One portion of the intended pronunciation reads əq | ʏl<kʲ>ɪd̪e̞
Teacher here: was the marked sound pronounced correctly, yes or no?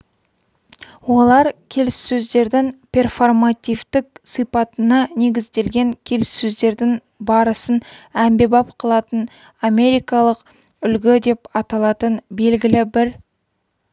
no